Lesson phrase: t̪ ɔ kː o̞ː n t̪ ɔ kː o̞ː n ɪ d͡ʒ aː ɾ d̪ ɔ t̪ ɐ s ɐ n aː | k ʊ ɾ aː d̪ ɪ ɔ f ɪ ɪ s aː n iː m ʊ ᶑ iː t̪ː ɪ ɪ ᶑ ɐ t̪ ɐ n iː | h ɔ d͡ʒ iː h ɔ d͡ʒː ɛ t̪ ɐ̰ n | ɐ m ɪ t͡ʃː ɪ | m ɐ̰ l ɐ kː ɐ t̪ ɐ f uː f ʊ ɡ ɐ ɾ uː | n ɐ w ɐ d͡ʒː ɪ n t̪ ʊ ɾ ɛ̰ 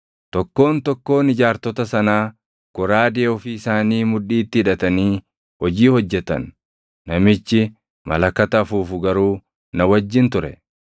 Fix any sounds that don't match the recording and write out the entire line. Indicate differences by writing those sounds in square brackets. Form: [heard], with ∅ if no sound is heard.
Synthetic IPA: t̪ ɔ kː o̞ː n t̪ ɔ kː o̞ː n ɪ d͡ʒ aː ɾ [t̪] ɔ t̪ ɐ s ɐ n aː | k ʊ ɾ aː d̪ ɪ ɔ f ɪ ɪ s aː n iː m ʊ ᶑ iː t̪ː ɪ ɪ ᶑ ɐ t̪ ɐ n iː | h ɔ d͡ʒ iː h ɔ d͡ʒː ɛ t̪ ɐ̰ [nː] | ɐ m ɪ t͡ʃː ɪ | m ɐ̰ l ɐ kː ɐ t̪ ɐ f uː f ʊ ɡ ɐ ɾ uː | n ɐ w ɐ d͡ʒː ɪ n t̪ ʊ ɾ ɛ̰

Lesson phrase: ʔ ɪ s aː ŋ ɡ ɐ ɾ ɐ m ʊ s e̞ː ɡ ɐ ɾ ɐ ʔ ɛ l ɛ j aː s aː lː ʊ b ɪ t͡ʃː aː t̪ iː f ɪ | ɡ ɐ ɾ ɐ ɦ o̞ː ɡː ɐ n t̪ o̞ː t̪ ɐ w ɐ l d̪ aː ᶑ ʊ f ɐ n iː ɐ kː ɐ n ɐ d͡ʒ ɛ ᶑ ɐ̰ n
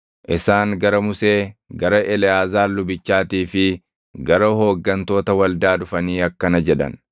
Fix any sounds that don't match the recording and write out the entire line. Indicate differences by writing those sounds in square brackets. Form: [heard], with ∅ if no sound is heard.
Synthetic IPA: ʔ ɪ s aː ŋ ɡ ɐ ɾ ɐ m ʊ s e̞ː ɡ ɐ ɾ ɐ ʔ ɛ l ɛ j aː [z] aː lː ʊ b ɪ t͡ʃː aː t̪ iː f ɪ | ɡ ɐ ɾ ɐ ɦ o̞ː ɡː ɐ n t̪ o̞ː t̪ ɐ w ɐ l d̪ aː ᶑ ʊ f ɐ n iː ɐ kː ɐ n ɐ d͡ʒ ɛ ᶑ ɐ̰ n

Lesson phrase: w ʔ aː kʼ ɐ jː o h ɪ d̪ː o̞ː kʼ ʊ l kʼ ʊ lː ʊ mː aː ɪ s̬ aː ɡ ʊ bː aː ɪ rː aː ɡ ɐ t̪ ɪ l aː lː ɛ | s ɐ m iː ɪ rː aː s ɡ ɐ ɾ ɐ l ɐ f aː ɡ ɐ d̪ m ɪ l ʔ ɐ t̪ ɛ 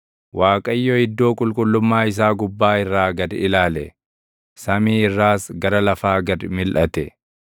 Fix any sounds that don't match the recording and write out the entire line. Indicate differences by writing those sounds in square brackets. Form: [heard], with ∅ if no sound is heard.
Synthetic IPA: w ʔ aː kʼ ɐ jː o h ɪ d̪ː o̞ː kʼ ʊ l kʼ ʊ lː ʊ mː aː ɪ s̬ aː ɡ ʊ bː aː ɪ rː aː ɡ ɐ [d̪] ɪ l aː [l] ɛ | s ɐ m iː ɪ rː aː s ɡ ɐ ɾ ɐ l ɐ f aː ɡ ɐ d̪ m ɪ l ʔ ɐ t̪ ɛ

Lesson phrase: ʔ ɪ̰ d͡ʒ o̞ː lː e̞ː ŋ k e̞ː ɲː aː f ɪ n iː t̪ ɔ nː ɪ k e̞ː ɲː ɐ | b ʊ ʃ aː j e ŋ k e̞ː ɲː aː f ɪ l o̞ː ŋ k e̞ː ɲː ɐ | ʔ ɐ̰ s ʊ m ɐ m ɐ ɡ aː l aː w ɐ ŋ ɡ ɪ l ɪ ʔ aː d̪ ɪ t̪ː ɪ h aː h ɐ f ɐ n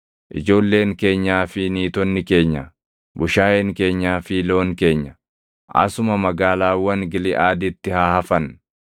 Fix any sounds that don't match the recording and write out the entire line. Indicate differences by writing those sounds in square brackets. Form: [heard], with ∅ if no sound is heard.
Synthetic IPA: ʔ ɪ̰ d͡ʒ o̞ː lː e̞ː ŋ k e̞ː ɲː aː f ɪ n iː t̪ ɔ nː ɪ k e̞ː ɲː ɐ | b ʊ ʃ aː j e ŋ k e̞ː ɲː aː f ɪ l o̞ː ŋ k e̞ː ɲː ɐ | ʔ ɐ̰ s ʊ m ɐ m ɐ ɡ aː l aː w ɐ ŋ ɡ ɪ l ɪ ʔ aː d̪ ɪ t̪ː ɪ h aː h ɐ f ɐ n

